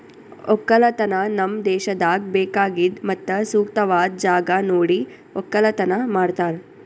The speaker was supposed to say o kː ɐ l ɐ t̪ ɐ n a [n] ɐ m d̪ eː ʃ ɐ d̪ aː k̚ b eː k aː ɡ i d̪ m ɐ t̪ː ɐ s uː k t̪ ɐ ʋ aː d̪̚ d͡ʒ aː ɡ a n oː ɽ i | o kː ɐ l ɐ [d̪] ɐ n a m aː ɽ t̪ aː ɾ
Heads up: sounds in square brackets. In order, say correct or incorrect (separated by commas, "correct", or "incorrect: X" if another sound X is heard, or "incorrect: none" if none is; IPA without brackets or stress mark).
correct, incorrect: t̪